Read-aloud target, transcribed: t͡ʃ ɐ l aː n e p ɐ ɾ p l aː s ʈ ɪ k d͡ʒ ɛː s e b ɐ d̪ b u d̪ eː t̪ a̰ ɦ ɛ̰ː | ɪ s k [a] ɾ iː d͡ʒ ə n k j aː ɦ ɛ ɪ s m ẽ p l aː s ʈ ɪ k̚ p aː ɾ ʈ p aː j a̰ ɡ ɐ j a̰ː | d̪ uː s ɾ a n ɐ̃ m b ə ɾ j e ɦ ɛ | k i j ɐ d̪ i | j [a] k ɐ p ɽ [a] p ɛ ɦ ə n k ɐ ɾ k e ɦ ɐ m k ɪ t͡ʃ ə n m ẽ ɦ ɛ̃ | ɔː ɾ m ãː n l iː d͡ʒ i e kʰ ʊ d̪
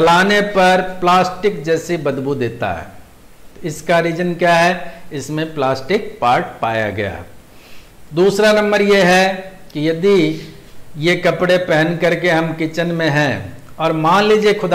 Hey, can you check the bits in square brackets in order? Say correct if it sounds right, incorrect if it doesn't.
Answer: correct, incorrect: e, incorrect: e

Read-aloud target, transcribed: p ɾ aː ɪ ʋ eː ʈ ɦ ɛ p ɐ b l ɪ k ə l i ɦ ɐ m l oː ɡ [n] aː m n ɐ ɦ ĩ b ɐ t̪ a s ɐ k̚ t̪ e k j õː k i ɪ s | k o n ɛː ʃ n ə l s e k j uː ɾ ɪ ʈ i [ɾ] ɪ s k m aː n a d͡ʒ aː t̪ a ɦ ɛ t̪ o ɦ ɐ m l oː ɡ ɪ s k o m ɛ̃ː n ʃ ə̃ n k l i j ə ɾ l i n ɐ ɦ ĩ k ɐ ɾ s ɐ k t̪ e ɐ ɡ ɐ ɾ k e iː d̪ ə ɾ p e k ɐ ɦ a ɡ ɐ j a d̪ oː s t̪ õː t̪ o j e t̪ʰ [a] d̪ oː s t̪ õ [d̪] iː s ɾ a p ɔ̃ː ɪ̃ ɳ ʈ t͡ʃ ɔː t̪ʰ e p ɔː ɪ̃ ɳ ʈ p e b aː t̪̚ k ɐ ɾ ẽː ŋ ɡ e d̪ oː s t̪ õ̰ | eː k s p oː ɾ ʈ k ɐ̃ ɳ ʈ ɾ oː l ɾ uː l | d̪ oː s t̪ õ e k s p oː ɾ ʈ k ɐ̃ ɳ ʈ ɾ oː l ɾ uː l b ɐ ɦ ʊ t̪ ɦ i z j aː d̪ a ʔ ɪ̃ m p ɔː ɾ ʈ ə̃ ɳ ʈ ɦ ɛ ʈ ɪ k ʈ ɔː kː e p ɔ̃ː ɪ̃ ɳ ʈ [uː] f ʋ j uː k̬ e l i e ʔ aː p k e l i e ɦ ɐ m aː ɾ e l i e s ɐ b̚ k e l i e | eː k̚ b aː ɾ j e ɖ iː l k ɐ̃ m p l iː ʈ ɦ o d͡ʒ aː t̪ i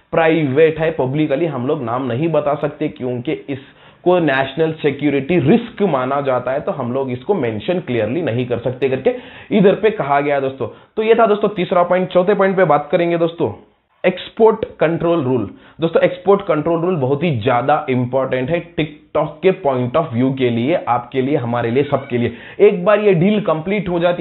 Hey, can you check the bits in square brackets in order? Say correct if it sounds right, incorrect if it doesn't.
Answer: correct, correct, correct, incorrect: t̪, incorrect: ɔː

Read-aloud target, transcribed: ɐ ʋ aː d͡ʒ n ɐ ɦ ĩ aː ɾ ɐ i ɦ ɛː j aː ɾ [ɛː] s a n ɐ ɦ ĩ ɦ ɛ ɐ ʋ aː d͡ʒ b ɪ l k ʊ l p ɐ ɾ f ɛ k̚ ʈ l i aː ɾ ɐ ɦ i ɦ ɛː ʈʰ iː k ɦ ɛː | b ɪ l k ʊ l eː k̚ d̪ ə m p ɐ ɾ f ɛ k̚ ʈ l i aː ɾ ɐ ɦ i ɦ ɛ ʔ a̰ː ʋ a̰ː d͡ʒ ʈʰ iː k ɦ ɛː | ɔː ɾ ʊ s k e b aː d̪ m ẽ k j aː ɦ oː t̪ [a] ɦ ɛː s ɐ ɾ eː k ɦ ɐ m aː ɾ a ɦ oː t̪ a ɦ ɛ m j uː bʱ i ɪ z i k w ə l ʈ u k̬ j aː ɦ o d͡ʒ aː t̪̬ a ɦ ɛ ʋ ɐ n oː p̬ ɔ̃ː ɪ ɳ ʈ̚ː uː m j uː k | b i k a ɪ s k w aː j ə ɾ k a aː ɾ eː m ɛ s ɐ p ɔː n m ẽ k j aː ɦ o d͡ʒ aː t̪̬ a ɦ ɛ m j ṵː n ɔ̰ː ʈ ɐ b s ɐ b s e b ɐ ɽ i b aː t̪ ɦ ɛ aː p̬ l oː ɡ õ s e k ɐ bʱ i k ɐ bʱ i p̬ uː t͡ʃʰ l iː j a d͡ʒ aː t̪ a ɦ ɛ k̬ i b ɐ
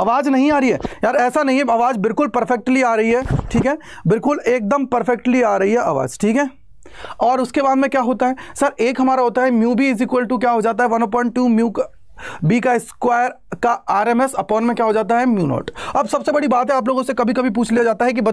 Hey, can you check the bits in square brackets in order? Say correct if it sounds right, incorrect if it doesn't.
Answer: correct, correct

